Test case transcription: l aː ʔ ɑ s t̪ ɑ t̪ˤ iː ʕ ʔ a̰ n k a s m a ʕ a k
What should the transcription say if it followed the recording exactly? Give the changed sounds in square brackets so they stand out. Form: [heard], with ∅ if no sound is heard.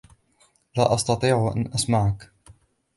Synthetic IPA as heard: l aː ʔ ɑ s t̪ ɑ t̪ˤ iː ʕ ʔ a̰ n [ʔ] a s m a ʕ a k